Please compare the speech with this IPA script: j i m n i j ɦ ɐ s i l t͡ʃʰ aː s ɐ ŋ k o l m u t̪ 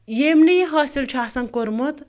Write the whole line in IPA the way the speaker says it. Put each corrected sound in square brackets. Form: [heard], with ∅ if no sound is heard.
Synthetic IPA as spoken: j [e] m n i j ɦ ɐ s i l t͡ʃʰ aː s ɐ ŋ k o [ɾ] m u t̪